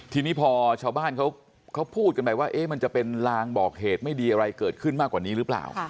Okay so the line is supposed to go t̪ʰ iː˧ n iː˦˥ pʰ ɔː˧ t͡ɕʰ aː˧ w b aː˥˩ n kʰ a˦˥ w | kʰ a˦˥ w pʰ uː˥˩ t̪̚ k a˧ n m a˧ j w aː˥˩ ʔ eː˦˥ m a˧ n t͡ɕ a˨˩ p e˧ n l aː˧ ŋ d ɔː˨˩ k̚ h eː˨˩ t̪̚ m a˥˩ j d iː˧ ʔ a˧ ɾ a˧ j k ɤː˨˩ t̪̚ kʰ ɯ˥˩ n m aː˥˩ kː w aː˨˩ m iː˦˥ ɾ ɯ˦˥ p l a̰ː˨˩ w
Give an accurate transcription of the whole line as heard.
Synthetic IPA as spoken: t̪ʰ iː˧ n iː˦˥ pʰ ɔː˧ t͡ɕʰ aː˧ w b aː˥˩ n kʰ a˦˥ w | kʰ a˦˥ w pʰ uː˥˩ t̪̚ k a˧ n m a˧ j w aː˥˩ ʔ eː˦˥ m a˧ n t͡ɕ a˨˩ p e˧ n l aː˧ ŋ b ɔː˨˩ k̚ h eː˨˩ t̪̚ m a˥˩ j d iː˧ ʔ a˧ ɾ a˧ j k ɤː˨˩ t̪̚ kʰ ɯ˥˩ n m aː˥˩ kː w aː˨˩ n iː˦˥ ɾ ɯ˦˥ p l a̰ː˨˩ w